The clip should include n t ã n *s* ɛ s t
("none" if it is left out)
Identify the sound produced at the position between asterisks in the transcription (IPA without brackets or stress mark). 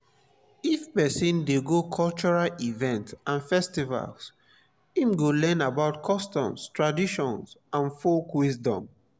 f